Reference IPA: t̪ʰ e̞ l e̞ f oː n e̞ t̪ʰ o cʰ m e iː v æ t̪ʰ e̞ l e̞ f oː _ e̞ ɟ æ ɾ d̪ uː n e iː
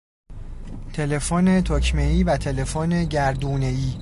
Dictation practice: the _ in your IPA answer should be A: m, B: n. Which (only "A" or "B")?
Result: B